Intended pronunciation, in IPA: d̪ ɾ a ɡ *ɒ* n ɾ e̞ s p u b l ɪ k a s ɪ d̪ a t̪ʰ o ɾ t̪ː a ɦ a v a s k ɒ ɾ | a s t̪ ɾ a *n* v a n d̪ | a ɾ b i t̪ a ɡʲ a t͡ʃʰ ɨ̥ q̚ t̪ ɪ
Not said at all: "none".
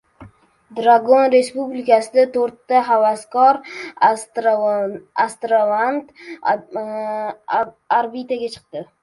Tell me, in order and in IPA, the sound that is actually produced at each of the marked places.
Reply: o, none

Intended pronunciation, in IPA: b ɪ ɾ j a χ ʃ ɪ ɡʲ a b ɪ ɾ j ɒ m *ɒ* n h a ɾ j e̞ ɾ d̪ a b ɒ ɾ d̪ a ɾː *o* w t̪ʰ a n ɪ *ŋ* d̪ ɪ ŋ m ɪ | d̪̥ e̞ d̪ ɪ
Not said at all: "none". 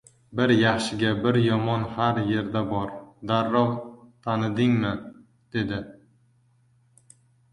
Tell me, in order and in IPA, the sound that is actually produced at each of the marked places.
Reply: ɒ, ɒ, none

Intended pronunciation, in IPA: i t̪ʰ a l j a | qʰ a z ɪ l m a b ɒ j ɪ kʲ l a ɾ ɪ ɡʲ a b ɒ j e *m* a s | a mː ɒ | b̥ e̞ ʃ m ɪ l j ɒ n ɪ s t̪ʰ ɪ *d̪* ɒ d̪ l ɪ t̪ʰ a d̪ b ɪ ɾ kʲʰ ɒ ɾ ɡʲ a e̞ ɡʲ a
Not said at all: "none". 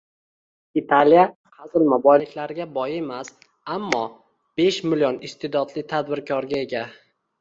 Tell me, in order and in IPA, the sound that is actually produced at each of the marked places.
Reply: m, d̪

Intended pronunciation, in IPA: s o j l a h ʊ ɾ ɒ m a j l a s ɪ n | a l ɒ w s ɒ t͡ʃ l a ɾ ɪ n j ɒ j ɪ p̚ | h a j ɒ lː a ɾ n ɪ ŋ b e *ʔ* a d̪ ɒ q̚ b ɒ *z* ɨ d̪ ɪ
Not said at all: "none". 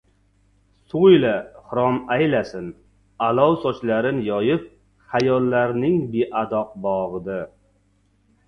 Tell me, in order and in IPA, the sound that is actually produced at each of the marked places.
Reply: ʔ, ʁ

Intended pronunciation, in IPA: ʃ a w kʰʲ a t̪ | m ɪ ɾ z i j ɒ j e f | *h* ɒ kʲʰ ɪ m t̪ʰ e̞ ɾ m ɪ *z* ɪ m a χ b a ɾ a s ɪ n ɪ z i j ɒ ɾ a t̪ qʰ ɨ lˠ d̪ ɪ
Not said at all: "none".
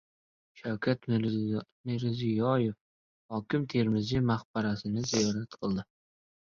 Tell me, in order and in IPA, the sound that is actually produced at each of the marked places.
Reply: h, z

